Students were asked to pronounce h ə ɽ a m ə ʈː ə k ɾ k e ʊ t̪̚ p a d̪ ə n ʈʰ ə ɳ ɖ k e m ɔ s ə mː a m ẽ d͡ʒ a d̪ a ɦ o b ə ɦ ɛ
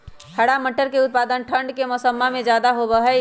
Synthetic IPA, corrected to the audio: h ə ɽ a m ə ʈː ə ɾ k e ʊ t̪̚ p a d̪ ə n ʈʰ ə ɳ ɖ k e m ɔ s ə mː a m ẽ d͡ʒ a d̪ a ɦ o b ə ɦ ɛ